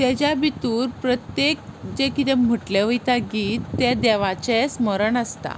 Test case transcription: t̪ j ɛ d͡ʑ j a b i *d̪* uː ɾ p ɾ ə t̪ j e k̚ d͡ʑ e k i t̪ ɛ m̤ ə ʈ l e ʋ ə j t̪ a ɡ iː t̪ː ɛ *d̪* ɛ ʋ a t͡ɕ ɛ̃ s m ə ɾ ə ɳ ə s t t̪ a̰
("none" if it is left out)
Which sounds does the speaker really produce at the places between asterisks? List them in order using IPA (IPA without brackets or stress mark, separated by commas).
t̪, d̪